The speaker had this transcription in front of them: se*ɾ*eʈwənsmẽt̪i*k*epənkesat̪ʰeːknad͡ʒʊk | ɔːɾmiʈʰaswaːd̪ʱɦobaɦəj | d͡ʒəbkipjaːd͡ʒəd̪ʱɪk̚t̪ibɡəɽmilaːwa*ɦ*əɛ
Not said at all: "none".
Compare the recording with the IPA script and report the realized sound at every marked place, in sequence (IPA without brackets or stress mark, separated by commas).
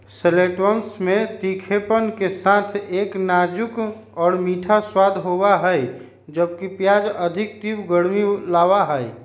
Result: l, kʰ, ɦ